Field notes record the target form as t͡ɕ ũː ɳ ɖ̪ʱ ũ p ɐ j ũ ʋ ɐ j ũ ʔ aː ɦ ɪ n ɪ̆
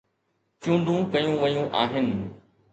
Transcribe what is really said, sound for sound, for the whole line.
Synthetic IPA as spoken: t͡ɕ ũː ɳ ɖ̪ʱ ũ k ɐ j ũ ʋ ɐ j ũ ʔ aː ɦ ɪ n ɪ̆